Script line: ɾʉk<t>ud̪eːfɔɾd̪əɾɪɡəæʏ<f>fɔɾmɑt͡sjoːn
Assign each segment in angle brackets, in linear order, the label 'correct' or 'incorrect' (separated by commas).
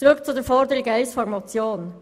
incorrect, incorrect